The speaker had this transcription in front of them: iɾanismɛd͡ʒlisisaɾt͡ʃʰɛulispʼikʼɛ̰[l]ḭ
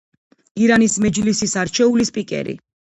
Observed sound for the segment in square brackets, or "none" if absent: ɾ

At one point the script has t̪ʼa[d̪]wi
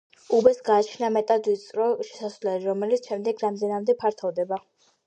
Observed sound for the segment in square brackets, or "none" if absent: d̪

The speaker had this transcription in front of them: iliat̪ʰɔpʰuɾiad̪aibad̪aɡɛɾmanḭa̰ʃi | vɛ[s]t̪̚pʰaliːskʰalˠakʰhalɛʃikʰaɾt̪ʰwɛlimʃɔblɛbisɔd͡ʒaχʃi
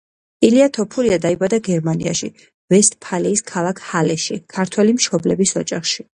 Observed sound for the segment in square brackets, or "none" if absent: s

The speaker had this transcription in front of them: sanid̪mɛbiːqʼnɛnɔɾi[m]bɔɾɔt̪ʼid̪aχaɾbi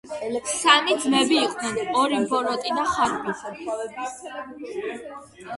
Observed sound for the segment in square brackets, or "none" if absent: m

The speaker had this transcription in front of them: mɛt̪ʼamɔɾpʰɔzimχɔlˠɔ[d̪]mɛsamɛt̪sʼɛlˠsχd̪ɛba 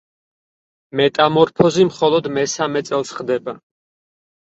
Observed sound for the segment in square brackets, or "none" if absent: d̪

